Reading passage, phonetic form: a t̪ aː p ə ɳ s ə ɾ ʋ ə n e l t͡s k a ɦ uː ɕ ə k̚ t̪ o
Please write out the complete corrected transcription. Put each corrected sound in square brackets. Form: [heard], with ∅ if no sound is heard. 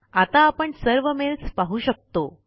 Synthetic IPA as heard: a t̪ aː p ə ɳ s ə ɾ ʋ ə [m] e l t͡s [p] a ɦ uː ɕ ə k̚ t̪ o